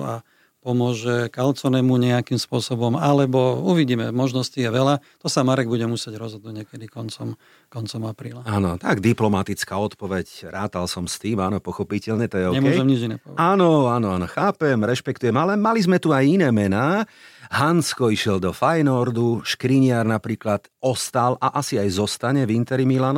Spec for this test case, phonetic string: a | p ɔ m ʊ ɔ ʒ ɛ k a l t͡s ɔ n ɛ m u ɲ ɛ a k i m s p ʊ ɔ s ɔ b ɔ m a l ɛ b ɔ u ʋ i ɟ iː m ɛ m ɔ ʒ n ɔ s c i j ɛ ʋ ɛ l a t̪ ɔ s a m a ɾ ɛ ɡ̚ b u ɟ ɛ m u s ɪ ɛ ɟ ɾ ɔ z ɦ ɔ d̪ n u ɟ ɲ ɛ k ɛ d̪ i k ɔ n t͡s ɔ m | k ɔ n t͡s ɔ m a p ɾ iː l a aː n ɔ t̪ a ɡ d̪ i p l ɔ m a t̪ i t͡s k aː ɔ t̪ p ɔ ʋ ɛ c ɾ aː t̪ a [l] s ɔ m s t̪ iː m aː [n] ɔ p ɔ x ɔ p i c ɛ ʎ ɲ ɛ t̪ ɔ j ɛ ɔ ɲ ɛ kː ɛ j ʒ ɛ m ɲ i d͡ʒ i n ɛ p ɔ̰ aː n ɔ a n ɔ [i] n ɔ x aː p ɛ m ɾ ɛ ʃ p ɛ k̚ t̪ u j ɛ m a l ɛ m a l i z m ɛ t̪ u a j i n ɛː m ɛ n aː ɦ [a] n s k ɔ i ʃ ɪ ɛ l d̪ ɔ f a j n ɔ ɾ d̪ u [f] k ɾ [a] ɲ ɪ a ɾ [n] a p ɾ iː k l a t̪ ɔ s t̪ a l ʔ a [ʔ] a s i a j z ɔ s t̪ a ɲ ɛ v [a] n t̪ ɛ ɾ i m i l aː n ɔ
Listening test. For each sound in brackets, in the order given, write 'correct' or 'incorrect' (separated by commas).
correct, correct, incorrect, correct, incorrect, incorrect, correct, correct, incorrect